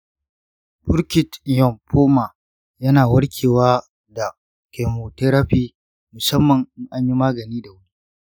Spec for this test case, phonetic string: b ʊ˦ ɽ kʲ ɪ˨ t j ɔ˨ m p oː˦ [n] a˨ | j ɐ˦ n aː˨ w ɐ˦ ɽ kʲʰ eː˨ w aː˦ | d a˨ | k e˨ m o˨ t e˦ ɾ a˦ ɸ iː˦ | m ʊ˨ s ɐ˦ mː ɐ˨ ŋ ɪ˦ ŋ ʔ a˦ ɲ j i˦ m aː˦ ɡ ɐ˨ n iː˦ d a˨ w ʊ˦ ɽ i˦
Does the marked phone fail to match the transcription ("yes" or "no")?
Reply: yes